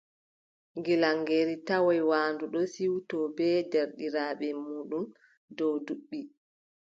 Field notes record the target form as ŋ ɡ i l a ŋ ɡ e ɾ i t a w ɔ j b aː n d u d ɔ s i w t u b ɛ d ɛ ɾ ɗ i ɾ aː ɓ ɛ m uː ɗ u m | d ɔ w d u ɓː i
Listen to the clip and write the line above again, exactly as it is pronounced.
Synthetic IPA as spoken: ŋ ɡ i l a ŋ ɡ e ɾ i t a w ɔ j w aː n d u ɗ ɔ s i w t ɔ b ɛ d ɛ ɾ ɗ i ɾ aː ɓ ɛ m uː ɗ u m | d ɔ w d u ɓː i